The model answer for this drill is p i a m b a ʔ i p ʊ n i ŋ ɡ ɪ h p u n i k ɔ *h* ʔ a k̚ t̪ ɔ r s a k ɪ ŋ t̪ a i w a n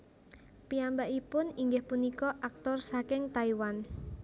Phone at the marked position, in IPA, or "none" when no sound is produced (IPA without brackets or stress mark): none